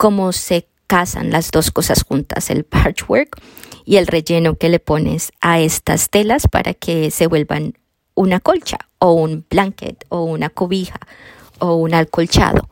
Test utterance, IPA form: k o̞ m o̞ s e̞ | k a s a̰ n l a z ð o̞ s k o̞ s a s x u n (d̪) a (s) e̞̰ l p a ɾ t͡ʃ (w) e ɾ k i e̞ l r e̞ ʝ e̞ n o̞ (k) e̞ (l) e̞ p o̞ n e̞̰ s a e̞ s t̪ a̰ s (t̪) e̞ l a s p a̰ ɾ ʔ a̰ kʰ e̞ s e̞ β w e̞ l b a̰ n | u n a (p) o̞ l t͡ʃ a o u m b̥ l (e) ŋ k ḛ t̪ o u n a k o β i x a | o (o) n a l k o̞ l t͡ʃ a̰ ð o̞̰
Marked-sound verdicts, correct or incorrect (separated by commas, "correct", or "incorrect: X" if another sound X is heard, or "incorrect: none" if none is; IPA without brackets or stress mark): incorrect: t̪, correct, correct, correct, correct, correct, incorrect: k, incorrect: a, incorrect: u